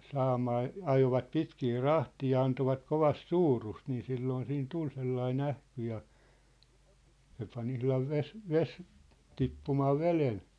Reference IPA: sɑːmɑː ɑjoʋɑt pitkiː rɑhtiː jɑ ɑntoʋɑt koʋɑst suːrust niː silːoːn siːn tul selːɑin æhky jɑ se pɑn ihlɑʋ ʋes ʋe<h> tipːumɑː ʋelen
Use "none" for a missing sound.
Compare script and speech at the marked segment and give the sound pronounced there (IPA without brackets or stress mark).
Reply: s